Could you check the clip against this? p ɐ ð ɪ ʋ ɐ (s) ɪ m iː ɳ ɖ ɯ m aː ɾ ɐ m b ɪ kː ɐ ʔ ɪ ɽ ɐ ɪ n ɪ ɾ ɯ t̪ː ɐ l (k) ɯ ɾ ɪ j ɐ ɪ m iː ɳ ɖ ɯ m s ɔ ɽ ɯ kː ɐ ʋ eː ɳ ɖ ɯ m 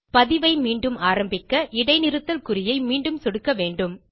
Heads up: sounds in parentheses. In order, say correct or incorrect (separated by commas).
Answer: incorrect, correct